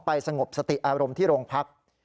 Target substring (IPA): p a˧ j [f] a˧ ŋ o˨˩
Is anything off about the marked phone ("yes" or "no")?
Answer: yes